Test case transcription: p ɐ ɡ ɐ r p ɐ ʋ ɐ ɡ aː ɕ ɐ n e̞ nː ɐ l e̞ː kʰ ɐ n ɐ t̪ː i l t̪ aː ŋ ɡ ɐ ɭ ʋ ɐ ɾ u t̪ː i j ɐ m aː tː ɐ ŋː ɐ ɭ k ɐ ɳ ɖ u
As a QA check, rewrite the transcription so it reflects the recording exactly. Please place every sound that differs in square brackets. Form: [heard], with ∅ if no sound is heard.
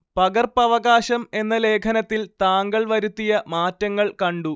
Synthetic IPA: p ɐ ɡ ɐ r p ɐ ʋ ɐ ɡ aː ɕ ɐ [m] e̞ nː ɐ l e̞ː kʰ ɐ n ɐ t̪ː i l t̪ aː ŋ ɡ ɐ ɭ ʋ ɐ ɾ u t̪ː i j ɐ m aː tː ɐ ŋː ɐ ɭ k ɐ ɳ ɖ u